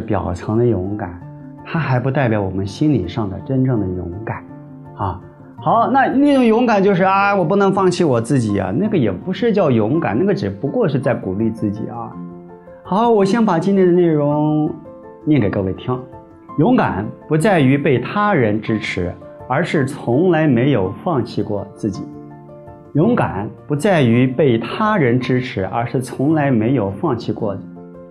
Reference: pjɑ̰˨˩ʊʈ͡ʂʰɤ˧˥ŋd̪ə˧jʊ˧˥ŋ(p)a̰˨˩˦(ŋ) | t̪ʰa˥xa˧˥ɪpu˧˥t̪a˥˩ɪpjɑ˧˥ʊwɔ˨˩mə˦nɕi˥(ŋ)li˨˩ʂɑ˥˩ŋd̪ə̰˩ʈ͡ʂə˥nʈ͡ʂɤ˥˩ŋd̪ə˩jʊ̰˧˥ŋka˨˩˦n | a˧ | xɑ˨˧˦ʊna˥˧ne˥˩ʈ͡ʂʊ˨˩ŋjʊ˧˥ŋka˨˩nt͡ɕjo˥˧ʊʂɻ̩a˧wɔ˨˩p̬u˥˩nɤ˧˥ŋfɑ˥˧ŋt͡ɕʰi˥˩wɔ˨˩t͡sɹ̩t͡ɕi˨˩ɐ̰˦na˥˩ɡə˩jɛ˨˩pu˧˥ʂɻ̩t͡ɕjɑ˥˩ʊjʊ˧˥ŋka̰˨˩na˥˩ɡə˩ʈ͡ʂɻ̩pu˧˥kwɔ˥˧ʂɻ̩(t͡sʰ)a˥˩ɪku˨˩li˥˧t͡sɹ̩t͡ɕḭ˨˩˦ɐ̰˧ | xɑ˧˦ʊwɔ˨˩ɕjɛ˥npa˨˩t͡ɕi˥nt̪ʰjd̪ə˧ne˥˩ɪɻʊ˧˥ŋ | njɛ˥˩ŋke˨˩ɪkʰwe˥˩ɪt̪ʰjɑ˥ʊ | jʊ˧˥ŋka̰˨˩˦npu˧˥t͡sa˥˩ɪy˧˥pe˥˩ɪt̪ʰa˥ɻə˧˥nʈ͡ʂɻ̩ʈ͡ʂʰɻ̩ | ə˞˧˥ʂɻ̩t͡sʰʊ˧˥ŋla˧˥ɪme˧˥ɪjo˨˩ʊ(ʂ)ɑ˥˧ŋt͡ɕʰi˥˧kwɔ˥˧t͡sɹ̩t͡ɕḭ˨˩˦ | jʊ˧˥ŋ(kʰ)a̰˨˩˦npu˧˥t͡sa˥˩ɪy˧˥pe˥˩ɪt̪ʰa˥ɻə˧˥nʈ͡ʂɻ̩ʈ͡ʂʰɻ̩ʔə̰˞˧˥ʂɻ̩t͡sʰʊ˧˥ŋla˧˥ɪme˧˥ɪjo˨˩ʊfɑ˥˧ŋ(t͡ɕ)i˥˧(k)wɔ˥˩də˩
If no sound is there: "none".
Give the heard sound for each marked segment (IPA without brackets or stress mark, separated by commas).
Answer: k, n, n, t͡s, f, k, t͡ɕʰ, k